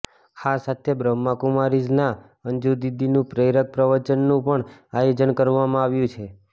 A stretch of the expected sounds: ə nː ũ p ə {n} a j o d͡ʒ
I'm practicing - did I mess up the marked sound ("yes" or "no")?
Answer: yes